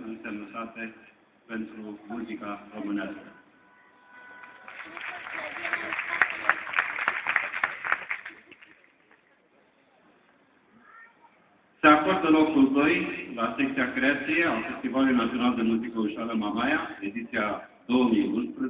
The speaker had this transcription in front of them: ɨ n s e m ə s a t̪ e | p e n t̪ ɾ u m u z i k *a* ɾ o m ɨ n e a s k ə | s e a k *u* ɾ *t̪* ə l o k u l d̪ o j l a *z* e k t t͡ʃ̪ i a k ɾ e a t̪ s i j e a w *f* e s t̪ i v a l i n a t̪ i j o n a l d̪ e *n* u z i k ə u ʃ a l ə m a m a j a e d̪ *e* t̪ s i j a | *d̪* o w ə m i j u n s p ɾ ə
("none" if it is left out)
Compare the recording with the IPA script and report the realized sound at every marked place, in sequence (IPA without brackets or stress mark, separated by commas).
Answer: a, o, d̪, s, f, m, i, d̪